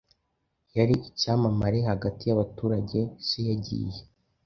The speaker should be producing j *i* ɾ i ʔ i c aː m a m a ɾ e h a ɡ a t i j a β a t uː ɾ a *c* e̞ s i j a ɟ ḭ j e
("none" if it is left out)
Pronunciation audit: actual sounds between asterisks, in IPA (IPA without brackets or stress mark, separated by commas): a, ɟ